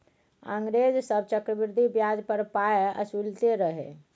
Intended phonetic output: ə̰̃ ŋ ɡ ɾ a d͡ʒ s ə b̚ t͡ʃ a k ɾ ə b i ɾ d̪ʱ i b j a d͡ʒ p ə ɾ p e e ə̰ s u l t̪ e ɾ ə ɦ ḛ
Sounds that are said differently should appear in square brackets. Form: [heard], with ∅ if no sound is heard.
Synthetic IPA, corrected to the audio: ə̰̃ ŋ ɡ ɾ [e] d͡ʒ s ə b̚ t͡ʃ [ə] k ɾ ə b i ɾ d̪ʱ i b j a d͡ʒ p ə ɾ p [a] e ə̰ s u l t̪ e ɾ ə ɦ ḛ